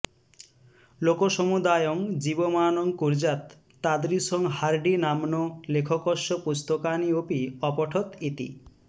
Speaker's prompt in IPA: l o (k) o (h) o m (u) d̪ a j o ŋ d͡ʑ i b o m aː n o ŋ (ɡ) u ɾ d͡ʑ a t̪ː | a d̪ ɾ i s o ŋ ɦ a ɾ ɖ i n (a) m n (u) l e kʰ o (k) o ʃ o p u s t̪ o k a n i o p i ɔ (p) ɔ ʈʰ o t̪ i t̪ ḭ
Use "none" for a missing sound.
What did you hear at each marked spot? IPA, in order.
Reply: k, ʃ, u, k, a, o, k, p

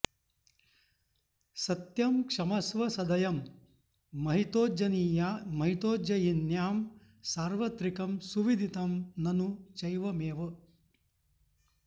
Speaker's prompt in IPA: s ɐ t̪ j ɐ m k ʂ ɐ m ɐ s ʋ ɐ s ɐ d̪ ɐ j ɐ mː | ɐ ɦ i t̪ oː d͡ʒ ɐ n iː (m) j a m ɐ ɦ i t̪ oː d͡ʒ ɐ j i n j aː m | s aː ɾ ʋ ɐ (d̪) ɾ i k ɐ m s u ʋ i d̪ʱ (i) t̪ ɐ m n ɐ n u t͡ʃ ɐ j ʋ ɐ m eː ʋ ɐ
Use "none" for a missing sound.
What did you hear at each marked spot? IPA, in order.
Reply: none, t̪, i

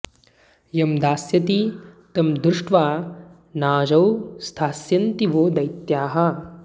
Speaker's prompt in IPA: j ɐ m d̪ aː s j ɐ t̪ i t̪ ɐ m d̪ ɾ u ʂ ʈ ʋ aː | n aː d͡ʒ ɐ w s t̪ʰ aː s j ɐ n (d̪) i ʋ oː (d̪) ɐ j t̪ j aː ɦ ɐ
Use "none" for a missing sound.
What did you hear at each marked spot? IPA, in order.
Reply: t̪, d̪

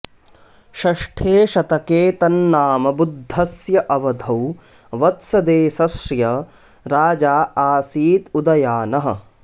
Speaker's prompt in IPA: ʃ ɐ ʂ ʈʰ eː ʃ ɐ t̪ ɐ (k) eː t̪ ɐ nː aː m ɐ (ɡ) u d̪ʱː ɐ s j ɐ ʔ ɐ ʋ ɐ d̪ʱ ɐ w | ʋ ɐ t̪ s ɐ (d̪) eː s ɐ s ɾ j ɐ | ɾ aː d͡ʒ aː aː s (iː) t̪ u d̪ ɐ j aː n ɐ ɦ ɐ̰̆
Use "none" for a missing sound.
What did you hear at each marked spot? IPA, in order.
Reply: k, b, d̪, iː

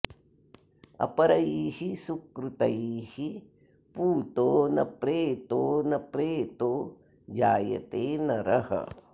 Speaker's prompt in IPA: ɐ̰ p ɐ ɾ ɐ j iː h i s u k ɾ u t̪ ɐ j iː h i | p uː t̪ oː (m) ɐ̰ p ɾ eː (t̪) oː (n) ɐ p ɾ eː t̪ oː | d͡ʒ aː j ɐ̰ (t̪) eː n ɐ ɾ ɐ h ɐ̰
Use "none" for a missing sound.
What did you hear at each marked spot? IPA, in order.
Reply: n, t̪, n, t̪

